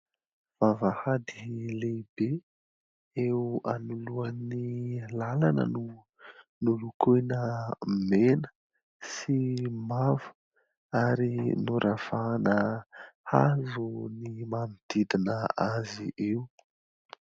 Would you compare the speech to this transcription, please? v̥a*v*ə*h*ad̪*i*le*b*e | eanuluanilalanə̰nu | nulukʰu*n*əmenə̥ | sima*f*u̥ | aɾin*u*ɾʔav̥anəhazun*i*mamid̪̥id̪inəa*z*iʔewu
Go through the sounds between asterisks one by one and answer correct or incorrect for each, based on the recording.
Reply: correct, correct, correct, correct, correct, incorrect: v, correct, correct, correct

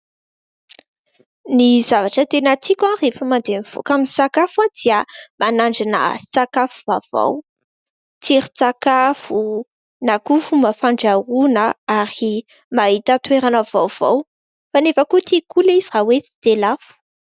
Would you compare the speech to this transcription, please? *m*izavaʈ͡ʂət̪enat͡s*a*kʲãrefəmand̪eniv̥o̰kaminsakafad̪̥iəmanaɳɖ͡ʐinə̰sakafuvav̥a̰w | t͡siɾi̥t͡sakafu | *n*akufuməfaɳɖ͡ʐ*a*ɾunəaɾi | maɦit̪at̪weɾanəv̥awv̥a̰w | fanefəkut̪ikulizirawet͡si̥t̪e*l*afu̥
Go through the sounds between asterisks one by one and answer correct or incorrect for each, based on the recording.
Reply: incorrect: n, incorrect: i, correct, correct, correct

